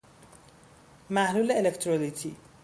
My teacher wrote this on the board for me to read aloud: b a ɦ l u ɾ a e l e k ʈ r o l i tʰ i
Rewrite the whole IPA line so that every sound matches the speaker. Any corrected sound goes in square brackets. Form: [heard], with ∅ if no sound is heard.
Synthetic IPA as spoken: [m] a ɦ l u [l] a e l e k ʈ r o l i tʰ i